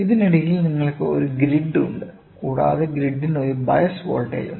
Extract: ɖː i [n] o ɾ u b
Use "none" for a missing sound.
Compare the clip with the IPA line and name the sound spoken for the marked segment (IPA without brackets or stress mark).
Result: n